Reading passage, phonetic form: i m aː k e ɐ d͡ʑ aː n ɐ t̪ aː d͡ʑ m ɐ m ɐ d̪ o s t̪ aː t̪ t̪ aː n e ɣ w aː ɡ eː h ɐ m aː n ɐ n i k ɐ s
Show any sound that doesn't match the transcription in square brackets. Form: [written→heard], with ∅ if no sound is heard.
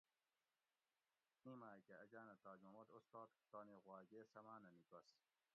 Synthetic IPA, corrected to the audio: i m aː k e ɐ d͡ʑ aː n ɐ t̪ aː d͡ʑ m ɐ m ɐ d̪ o s t̪ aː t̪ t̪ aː n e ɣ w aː ɡ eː [h→s] ɐ m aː n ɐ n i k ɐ s